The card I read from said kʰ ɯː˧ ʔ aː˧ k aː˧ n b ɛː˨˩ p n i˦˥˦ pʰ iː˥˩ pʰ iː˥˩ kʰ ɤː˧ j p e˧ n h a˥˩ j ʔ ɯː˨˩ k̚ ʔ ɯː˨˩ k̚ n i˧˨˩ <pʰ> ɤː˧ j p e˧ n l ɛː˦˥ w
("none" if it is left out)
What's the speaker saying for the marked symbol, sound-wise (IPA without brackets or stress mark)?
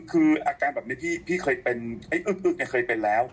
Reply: kʰ